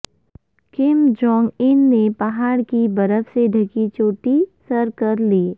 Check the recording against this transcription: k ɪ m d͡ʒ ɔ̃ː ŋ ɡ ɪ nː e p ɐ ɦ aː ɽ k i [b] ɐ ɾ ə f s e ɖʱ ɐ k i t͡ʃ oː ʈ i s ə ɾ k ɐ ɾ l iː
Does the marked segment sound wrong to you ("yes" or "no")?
no